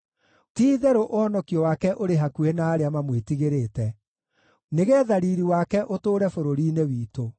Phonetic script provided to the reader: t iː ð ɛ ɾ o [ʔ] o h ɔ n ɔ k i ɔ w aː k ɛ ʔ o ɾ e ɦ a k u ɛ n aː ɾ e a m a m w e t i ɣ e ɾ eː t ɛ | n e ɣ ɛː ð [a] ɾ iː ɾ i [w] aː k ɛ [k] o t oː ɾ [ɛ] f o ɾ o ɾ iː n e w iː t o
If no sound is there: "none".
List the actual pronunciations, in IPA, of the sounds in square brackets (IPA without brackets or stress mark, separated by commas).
ʔ, a, w, ʔ, ɛ